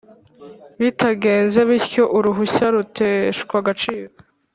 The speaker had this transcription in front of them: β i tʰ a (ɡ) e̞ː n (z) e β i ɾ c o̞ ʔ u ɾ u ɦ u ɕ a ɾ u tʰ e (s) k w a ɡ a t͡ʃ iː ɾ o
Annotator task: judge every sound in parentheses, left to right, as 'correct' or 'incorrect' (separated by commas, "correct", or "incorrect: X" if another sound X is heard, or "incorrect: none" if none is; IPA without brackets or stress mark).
correct, correct, incorrect: ʃ